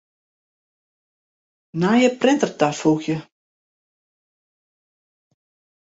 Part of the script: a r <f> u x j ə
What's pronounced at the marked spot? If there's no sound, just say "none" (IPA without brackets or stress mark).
f